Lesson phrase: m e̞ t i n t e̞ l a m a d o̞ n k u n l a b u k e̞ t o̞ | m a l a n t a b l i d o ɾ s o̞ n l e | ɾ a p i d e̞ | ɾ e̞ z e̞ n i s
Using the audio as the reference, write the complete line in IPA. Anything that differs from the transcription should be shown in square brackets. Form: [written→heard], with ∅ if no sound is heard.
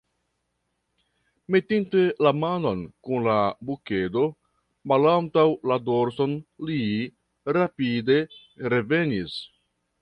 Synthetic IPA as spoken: m e̞ t i n t e̞ l a m a [d→n] o̞ n k u n l a b u k e̞ [t→d] o̞ | m a l a n t a [b→w] l [i→a] d o ɾ s o̞ n l [e→i] | ɾ a p i d e̞ | ɾ e̞ [z→v] e̞ n i s